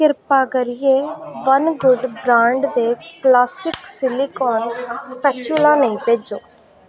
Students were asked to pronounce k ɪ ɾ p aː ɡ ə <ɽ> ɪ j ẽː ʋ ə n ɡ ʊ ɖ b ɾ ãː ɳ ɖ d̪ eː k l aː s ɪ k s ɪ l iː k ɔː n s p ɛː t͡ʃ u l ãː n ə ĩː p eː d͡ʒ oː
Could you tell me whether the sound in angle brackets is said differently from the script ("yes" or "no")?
yes